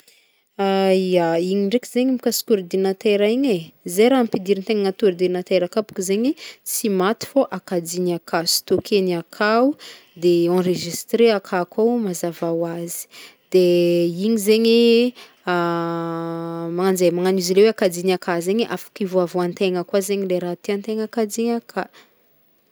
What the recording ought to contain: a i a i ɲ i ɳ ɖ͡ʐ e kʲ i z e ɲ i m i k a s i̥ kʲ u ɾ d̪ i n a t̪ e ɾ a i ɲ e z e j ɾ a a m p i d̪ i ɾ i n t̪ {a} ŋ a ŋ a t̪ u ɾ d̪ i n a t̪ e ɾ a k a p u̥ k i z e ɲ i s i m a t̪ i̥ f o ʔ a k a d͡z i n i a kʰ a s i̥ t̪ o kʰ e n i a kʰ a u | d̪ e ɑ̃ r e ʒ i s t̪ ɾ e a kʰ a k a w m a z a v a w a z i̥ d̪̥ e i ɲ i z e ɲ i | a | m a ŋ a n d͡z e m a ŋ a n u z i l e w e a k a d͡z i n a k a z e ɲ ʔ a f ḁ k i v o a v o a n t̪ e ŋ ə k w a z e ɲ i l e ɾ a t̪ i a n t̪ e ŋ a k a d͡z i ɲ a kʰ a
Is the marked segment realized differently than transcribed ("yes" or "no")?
yes